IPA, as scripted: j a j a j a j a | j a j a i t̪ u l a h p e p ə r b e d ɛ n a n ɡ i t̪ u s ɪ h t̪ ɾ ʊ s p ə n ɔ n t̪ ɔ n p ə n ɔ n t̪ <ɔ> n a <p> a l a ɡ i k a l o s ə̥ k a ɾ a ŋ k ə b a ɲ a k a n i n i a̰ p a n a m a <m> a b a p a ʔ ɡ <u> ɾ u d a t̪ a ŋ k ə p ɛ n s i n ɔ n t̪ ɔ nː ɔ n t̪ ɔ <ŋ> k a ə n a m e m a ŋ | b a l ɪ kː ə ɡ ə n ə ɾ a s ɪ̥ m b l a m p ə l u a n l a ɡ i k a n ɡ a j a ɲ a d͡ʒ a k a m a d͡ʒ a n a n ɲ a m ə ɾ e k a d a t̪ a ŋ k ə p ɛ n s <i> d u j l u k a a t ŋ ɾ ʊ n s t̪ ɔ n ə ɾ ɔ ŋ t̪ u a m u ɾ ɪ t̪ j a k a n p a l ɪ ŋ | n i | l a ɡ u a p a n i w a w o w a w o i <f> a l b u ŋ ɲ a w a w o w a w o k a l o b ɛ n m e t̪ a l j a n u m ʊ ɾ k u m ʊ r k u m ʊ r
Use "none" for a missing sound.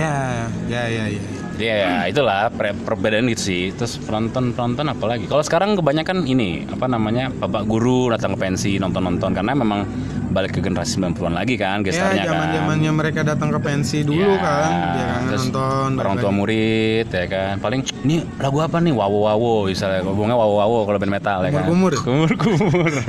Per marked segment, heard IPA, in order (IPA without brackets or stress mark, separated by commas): ɔ, p, ɲ, u, n, i, s